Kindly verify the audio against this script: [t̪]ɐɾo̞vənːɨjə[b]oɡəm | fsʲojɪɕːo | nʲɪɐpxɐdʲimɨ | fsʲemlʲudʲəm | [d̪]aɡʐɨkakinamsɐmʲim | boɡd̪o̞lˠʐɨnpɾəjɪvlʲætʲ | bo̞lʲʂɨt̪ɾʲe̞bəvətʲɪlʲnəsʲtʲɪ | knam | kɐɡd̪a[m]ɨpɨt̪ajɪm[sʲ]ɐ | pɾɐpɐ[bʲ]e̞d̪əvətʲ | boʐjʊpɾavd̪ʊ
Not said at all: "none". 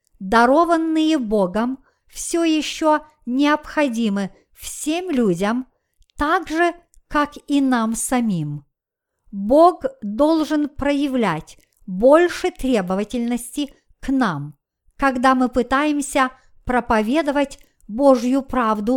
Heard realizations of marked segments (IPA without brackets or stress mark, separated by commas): d̪, b, t̪, m, sʲ, vʲ